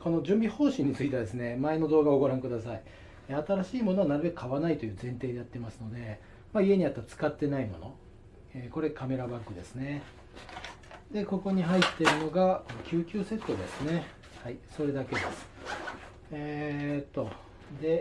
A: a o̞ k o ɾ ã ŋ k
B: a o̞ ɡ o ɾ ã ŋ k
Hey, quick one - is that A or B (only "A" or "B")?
B